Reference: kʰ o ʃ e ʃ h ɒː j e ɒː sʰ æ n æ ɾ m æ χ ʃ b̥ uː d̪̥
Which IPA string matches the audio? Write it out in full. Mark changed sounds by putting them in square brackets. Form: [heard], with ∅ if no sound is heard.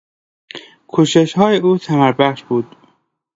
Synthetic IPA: kʰ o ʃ e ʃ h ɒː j e [uː] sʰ æ [m] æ ɾ [b] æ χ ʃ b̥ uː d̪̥